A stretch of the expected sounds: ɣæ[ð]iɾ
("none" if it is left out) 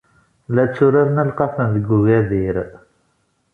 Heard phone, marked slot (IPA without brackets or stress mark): ð